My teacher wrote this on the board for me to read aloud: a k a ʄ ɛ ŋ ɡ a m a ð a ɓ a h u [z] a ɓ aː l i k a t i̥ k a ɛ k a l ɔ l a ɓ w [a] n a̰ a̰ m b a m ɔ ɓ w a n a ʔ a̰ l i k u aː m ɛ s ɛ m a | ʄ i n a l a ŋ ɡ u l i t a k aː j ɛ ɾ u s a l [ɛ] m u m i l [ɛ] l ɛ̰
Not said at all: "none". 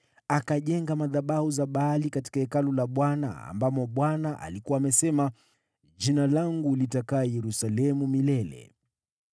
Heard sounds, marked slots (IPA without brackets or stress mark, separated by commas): z, a, ɛ, ɛ